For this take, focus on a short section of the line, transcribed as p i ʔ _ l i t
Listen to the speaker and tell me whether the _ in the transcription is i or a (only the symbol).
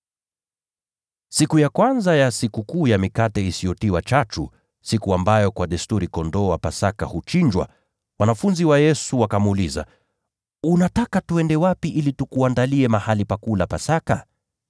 i